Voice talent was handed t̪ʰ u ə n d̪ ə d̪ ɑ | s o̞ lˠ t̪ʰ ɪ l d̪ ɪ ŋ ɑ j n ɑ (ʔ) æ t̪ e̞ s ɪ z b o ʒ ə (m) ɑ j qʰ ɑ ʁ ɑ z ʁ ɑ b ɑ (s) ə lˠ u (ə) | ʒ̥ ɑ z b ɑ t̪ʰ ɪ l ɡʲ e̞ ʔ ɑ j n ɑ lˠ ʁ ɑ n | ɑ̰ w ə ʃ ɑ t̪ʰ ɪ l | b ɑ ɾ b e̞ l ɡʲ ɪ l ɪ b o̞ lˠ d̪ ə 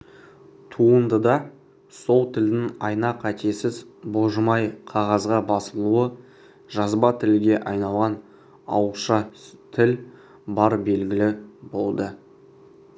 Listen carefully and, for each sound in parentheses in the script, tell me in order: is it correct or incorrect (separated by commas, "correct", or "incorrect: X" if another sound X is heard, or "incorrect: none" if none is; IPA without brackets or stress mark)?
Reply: incorrect: q, correct, correct, correct